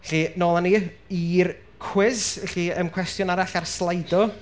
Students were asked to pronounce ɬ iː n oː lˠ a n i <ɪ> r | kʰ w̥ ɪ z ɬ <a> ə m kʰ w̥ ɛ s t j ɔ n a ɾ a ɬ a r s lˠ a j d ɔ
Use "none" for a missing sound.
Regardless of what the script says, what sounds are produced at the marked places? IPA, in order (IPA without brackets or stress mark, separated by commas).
i, i